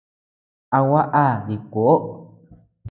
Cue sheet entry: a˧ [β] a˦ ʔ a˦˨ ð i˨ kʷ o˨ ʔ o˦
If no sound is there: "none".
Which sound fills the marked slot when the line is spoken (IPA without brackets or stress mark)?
w